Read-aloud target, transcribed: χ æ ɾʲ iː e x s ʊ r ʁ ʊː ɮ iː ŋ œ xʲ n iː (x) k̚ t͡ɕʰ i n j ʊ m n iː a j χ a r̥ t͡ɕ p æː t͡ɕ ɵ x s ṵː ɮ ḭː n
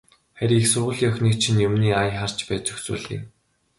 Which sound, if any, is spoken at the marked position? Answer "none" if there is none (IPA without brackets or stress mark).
none